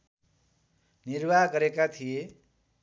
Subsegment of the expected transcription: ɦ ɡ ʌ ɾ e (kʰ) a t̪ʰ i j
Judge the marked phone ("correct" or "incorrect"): incorrect